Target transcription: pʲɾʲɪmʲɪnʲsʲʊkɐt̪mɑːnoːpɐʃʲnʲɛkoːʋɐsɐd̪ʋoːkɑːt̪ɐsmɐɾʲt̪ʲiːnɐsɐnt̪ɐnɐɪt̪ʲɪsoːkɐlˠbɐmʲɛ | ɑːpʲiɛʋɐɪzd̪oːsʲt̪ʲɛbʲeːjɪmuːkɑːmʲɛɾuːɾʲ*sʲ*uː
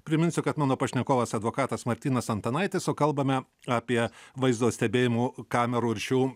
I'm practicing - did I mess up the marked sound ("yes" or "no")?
yes